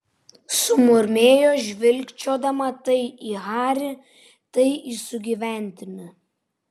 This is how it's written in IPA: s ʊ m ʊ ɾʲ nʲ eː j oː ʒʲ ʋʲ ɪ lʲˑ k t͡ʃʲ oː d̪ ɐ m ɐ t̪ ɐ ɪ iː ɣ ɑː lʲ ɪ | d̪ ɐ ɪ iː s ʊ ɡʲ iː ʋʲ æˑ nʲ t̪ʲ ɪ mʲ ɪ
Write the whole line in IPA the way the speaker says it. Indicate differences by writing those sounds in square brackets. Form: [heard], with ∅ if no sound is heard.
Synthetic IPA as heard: s ʊ m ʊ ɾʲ [mʲ] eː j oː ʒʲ ʋʲ ɪ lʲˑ k t͡ʃʲ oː d̪ ɐ m ɐ t̪ ɐ ɪ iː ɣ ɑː [ɾʲ] ɪ | [t̪] ɐ ɪ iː s ʊ ɡʲ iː ʋʲ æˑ nʲ t̪ʲ ɪ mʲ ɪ